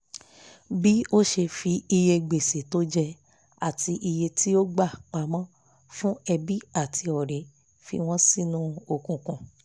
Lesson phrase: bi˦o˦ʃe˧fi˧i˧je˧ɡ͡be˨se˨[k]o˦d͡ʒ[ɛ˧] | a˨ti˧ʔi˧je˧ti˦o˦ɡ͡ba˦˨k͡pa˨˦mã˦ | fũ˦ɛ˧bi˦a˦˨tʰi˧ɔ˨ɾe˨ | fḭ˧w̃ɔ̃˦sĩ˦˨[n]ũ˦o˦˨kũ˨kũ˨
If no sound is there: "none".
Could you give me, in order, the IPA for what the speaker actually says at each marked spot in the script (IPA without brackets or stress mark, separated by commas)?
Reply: t, ɛ˧, n